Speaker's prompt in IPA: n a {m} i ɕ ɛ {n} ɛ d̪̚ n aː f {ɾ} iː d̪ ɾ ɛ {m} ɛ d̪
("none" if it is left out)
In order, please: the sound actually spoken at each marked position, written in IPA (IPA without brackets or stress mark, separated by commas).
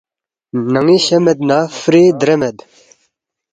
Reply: ŋ, m, ɾ, m